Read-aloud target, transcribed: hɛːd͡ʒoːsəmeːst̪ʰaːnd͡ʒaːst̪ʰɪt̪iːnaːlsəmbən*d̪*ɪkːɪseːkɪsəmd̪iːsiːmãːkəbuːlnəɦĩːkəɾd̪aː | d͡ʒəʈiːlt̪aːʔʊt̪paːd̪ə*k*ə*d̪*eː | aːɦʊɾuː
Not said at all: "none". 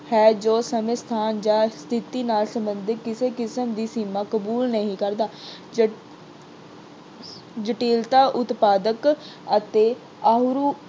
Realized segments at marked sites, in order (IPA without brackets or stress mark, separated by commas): d̪, k, t̪